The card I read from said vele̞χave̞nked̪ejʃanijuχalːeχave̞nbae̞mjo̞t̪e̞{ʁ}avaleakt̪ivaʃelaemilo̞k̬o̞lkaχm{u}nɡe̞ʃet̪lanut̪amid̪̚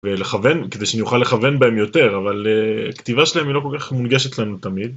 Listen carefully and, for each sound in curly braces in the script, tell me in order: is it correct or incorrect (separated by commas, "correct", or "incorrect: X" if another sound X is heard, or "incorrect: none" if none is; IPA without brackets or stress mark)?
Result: correct, correct